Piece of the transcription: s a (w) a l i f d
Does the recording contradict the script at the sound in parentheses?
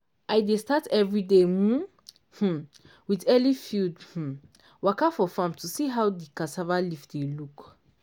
yes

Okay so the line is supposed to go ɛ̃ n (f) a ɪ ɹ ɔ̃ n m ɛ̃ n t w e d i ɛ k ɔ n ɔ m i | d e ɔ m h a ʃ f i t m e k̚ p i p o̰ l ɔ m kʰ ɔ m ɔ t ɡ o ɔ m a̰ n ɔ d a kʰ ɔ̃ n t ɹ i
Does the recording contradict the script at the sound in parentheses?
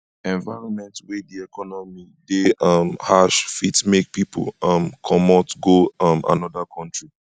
yes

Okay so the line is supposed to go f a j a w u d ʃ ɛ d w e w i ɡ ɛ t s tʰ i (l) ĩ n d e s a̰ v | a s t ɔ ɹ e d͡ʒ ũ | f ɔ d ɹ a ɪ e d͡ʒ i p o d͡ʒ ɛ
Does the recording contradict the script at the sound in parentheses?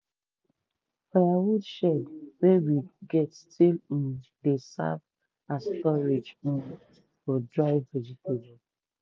no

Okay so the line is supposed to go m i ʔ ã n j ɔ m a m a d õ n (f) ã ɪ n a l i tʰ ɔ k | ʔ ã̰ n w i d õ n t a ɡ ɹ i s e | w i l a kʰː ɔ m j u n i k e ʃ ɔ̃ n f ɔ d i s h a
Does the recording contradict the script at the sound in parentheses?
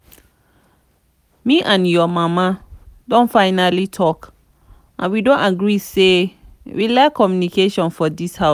no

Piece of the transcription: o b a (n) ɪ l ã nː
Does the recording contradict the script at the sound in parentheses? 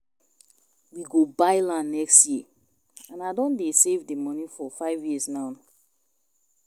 yes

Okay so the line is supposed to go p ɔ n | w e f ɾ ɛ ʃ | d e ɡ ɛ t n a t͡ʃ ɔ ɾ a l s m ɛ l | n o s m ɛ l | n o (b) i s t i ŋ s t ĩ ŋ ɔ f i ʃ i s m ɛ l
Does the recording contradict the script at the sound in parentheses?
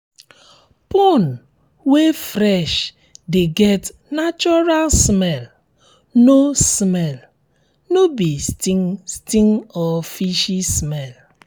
no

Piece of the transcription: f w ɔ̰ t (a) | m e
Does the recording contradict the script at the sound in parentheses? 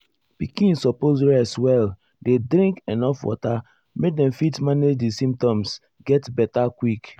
no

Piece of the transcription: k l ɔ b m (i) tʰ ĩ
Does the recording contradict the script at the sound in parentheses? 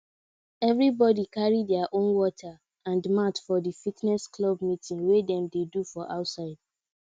no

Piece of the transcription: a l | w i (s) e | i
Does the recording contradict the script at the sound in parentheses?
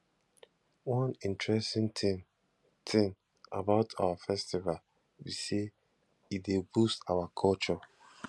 no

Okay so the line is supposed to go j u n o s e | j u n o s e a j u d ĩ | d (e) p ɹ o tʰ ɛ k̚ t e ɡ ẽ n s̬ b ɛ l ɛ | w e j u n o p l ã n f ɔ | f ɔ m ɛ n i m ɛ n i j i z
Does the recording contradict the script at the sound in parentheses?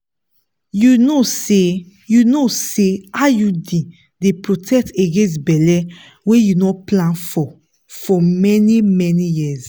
no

